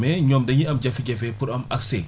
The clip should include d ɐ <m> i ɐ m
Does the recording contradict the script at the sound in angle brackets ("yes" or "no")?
yes